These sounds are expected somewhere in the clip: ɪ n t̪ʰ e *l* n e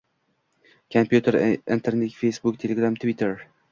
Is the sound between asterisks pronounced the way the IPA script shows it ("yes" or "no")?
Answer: no